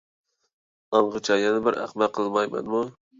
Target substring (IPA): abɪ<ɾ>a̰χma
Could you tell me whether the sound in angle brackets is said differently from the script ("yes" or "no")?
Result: no